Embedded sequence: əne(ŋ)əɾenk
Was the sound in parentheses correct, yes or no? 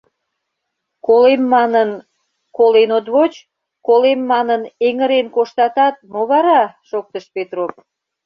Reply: yes